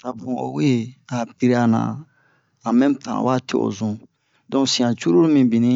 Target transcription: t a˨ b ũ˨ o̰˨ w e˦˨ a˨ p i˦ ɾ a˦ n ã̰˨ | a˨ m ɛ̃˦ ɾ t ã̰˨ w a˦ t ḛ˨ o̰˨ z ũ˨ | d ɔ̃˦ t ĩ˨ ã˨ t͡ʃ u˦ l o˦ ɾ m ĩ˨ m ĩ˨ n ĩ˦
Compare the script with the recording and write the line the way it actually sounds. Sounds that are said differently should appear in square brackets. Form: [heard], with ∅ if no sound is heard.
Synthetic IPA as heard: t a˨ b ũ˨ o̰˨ w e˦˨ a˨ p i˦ ɾ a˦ n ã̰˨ | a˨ m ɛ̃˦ [∅] t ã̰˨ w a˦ t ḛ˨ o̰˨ z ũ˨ | d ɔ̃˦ [s] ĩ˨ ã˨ t͡ʃ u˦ [ɾ] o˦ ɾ m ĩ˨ [b] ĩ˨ n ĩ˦